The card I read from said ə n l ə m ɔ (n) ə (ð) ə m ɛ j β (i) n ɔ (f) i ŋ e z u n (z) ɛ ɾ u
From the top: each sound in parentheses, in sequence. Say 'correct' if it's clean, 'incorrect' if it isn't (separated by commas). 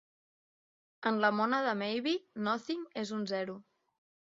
correct, correct, correct, incorrect, correct